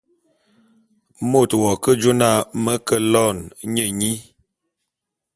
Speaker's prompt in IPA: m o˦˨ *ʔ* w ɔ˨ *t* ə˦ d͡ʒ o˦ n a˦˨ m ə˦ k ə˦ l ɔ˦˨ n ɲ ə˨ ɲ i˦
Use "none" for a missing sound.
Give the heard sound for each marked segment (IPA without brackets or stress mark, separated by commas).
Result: t, k